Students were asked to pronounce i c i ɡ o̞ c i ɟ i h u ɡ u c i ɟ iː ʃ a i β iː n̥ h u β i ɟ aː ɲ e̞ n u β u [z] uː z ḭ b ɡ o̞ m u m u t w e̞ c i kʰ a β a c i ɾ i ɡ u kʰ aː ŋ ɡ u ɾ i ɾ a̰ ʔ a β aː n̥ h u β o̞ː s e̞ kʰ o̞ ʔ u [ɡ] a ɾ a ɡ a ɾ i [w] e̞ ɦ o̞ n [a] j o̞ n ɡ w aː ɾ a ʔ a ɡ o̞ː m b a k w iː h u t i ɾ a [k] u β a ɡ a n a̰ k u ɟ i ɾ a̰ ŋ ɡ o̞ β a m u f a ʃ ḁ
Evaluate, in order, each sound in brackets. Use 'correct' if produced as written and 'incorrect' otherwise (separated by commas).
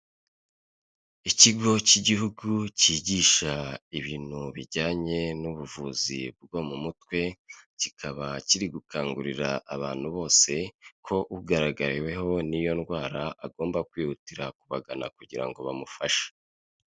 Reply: incorrect, correct, correct, incorrect, correct